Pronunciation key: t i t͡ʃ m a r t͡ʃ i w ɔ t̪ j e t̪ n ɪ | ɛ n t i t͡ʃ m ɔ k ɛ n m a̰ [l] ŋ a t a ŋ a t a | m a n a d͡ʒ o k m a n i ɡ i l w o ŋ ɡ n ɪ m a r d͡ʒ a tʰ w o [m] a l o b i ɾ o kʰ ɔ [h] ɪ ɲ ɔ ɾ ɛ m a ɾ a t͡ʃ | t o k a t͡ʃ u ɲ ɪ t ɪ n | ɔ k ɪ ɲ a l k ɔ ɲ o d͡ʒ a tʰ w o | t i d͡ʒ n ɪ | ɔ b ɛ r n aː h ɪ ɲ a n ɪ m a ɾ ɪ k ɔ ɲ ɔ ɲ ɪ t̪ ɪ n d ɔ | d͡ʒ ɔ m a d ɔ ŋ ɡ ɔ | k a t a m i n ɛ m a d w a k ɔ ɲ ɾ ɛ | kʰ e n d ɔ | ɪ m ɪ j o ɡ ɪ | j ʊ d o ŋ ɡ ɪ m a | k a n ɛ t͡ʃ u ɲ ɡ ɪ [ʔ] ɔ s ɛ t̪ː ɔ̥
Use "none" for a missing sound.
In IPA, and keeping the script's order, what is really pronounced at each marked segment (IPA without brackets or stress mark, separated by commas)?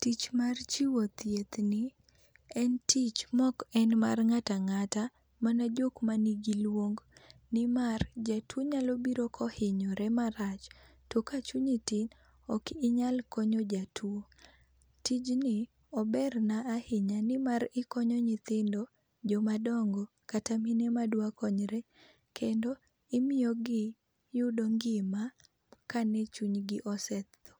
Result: r, ɲ, h, ʔ